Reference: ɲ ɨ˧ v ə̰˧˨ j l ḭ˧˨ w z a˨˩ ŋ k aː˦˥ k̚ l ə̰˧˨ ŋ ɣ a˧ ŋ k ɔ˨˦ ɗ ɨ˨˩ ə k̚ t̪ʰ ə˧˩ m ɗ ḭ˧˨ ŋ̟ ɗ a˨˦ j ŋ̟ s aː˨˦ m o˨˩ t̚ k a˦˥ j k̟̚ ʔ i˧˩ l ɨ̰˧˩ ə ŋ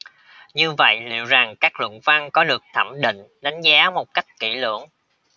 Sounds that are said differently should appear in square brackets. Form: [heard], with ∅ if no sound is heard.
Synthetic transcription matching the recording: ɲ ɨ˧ v ə̰˧˨ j l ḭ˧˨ w z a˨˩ ŋ k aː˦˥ k̚ l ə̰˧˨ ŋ [v] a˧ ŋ k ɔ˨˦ ɗ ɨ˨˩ ə k̚ t̪ʰ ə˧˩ m ɗ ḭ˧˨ ŋ̟ ɗ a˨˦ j ŋ̟ [z] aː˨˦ m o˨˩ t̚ k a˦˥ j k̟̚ [k] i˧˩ l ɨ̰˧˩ ə ŋ

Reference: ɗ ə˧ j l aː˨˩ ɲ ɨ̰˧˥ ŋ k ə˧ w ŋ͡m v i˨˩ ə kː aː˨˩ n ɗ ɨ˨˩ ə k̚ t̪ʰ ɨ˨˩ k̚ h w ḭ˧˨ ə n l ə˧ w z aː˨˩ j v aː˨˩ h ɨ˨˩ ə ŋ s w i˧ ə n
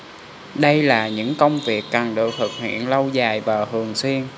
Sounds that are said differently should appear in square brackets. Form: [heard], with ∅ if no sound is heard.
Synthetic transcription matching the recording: ɗ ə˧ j l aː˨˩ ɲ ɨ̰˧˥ ŋ k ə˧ w ŋ͡m v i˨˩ ə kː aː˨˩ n ɗ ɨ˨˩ ə k̚ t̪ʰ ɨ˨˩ k̚ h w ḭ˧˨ ə n l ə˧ w z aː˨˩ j v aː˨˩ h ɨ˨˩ ə ŋ s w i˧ ə n

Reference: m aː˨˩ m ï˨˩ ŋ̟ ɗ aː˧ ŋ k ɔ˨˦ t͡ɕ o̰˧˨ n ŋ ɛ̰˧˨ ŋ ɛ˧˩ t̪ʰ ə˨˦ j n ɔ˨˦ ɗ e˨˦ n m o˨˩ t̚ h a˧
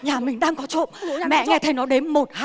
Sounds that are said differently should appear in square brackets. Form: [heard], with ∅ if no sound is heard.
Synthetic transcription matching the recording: [ɲ] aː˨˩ m ï˨˩ ŋ̟ ɗ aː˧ ŋ k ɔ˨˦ t͡ɕ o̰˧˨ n [m] ɛ̰˧˨ ŋ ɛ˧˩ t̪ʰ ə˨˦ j n ɔ˨˦ ɗ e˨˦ n m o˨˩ t̚ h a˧

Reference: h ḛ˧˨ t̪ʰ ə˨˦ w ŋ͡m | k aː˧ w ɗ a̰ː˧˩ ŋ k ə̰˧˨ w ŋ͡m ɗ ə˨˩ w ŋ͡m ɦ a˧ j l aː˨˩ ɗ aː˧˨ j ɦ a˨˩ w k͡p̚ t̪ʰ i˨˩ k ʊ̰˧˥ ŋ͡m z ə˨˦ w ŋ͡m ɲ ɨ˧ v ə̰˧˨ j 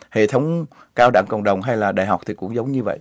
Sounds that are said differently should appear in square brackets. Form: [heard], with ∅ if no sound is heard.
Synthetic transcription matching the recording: h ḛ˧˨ t̪ʰ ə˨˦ w ŋ͡m | k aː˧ w ɗ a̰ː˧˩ ŋ k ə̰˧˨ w ŋ͡m ɗ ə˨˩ w ŋ͡m ɦ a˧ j l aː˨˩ ɗ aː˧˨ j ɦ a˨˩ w k͡p̚ t̪ʰ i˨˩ k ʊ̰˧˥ ŋ͡m z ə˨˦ w ŋ͡m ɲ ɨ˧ v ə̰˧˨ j

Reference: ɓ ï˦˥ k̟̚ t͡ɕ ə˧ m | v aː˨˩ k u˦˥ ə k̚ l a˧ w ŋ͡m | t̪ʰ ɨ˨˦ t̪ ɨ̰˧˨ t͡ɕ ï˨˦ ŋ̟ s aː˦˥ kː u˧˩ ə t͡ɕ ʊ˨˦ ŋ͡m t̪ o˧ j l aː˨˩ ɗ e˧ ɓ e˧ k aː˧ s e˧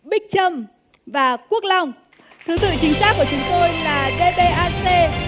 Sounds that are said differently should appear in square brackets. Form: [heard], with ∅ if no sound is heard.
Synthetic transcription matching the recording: ɓ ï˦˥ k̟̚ t͡ɕ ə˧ m | v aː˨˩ k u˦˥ ə k̚ l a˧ w ŋ͡m | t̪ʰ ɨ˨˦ t̪ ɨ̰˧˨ t͡ɕ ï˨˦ ŋ̟ s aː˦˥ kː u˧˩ ə t͡ɕ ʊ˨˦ ŋ͡m t̪ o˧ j l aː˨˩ ɗ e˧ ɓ e˧ [ʔ] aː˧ s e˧

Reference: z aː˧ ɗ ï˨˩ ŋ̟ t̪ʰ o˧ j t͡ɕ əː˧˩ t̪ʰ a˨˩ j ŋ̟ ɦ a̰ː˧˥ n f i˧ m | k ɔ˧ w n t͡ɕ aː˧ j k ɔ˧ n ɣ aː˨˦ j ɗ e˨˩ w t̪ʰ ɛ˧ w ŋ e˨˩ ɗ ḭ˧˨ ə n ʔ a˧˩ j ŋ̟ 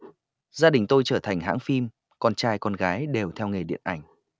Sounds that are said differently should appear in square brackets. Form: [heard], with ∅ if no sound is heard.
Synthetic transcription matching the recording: z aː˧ ɗ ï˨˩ ŋ̟ [t̪] o˧ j t͡ɕ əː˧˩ t̪ʰ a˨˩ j ŋ̟ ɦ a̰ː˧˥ [ŋ] f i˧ m | k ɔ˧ [∅] n t͡ɕ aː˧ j k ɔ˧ n ɣ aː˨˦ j ɗ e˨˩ w t̪ʰ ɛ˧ w ŋ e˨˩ ɗ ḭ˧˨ ə n ʔ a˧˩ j ŋ̟

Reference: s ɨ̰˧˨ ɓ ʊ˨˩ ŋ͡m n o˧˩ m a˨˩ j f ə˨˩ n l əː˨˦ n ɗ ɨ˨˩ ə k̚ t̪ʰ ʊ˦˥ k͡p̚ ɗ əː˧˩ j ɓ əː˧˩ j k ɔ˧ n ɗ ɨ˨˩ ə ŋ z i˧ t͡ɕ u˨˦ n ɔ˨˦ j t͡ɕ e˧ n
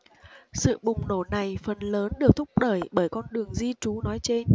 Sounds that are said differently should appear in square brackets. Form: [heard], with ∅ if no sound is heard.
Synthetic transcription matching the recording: s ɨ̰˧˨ ɓ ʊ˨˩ ŋ͡m n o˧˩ [n] a˨˩ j f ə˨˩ n l əː˨˦ n ɗ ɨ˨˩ ə k̚ t̪ʰ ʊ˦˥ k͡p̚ ɗ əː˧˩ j ɓ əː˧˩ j k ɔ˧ n ɗ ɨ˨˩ ə ŋ z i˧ t͡ɕ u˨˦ n ɔ˨˦ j t͡ɕ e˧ n

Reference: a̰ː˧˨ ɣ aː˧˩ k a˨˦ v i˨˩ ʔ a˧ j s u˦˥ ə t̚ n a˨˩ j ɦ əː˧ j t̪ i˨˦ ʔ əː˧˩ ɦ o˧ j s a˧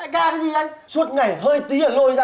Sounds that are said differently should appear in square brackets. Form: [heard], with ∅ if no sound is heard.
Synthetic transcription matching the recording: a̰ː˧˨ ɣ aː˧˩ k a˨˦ [z] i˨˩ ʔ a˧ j s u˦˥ ə t̚ [ŋ] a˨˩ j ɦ əː˧ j t̪ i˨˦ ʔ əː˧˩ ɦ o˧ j [z] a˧

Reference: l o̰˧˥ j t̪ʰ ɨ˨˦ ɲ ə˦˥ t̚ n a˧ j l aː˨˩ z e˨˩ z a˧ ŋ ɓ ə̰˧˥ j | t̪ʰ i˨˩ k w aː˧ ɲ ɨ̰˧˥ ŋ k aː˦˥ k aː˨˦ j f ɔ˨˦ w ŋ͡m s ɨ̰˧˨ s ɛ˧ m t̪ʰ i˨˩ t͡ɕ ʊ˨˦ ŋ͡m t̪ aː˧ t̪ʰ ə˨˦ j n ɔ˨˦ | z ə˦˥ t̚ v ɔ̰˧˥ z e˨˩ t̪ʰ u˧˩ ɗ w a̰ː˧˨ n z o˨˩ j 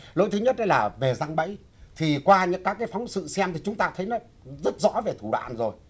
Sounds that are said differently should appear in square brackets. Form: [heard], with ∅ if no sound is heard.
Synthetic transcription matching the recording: l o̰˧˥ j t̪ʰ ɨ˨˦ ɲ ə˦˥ t̚ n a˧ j l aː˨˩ [v] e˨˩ z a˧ ŋ ɓ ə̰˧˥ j | t̪ʰ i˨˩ k w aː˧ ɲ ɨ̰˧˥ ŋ k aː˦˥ k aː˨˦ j f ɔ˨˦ w ŋ͡m s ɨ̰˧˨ s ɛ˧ m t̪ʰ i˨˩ t͡ɕ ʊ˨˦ ŋ͡m t̪ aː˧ t̪ʰ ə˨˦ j n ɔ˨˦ | z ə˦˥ t̚ [z] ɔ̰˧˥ [v] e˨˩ t̪ʰ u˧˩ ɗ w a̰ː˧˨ n z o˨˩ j

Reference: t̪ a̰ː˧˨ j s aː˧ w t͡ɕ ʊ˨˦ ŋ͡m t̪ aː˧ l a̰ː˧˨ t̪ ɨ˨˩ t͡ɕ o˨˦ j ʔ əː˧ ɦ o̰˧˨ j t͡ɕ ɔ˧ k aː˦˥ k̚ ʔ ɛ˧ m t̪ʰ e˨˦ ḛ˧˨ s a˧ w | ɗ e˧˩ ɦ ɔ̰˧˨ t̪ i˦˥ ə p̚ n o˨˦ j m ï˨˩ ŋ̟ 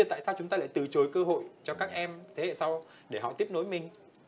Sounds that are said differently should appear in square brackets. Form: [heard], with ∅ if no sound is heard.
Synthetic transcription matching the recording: t̪ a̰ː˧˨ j s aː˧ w t͡ɕ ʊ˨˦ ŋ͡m t̪ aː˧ l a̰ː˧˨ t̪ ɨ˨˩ t͡ɕ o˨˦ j [k] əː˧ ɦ o̰˧˨ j t͡ɕ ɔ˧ k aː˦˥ k̚ ʔ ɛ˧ m t̪ʰ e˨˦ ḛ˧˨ s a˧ w | ɗ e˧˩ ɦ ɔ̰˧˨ t̪ i˦˥ ə p̚ n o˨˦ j m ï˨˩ ŋ̟

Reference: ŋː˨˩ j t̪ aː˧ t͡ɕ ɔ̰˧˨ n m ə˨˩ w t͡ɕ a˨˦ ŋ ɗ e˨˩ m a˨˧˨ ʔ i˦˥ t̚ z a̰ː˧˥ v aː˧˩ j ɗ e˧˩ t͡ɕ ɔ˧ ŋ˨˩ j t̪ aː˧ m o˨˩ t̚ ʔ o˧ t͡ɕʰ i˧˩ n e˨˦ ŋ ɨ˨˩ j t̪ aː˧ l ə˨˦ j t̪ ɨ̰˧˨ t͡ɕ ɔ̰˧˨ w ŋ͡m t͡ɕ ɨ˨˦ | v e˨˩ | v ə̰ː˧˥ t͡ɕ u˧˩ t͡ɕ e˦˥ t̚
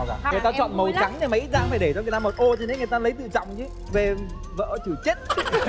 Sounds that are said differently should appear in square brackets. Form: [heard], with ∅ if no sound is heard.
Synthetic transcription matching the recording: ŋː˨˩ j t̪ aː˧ t͡ɕ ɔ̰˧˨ n m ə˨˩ w t͡ɕ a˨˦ ŋ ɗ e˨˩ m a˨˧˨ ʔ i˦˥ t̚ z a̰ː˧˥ [f] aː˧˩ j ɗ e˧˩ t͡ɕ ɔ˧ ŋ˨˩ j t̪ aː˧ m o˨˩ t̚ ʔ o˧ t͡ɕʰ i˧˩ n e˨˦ ŋ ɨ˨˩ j t̪ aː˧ l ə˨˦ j t̪ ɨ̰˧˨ t͡ɕ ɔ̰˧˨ w ŋ͡m t͡ɕ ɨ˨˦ | v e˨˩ | v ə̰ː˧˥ t͡ɕ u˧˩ t͡ɕ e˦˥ t̚

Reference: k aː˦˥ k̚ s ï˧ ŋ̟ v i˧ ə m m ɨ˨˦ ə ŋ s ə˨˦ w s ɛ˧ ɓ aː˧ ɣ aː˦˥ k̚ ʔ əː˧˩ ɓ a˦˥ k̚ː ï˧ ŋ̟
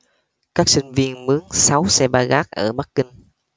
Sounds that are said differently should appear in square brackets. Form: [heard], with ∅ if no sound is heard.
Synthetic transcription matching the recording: k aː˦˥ k̚ s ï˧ ŋ̟ v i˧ ə [n] m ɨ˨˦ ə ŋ s [a˨˦] w s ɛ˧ ɓ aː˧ ɣ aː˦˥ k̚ ʔ əː˧˩ ɓ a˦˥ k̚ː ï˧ ŋ̟

